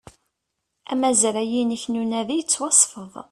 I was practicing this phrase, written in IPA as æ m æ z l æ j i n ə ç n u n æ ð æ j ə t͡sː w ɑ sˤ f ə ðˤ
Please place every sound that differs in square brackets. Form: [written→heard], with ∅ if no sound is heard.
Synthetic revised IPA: æ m æ z [l→ɾ] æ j i n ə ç n u n æ ð [æ→i] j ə t͡sː w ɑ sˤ f ə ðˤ